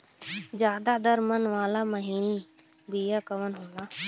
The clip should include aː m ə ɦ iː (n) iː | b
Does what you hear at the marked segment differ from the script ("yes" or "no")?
no